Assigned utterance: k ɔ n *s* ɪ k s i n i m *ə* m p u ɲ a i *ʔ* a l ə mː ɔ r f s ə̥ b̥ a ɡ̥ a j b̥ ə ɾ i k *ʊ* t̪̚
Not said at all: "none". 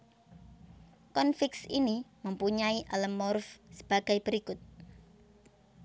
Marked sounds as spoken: f, ə, ʔ, ʊ

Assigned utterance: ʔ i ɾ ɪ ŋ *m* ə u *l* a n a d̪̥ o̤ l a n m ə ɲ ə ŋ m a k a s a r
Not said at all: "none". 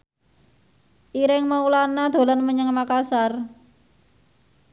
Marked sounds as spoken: m, l

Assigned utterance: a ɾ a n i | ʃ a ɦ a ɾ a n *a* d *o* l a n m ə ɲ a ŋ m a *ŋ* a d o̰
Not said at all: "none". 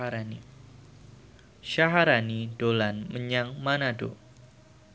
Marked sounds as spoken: i, o, n

